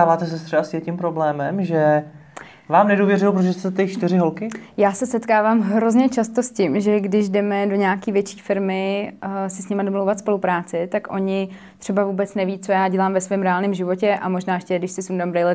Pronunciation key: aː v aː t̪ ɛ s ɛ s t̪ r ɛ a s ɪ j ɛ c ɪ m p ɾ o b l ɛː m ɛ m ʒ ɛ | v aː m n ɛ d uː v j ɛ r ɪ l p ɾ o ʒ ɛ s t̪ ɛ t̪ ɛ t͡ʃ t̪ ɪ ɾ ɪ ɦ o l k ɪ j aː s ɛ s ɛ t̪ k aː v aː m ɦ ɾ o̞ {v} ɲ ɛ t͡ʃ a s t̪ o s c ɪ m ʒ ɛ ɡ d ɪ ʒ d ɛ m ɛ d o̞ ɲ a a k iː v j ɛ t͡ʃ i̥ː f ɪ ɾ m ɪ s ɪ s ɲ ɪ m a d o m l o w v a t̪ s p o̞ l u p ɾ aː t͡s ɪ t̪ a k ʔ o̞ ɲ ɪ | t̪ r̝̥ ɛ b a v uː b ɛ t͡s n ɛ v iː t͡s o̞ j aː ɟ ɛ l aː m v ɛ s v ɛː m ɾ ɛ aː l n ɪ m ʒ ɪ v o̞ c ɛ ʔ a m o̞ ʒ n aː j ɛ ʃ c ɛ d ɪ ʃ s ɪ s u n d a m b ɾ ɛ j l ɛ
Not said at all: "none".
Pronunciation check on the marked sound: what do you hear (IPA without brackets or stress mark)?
z